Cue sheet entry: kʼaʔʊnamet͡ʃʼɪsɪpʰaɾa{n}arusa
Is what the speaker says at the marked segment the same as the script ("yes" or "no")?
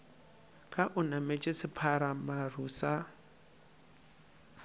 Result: no